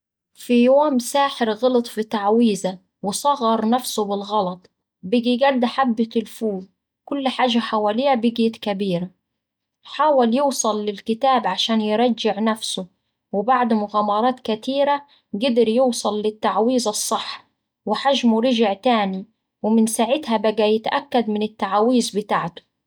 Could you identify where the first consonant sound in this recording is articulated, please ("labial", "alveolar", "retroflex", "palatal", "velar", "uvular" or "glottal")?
labial